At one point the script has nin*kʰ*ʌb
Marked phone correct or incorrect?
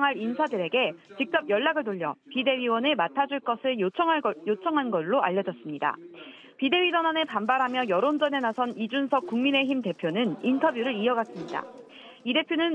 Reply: incorrect